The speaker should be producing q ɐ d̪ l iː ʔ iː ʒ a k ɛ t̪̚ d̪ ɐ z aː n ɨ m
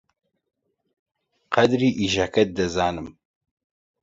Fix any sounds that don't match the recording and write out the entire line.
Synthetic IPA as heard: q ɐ d̪ ɾ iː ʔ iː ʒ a k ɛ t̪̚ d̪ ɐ z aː n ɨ m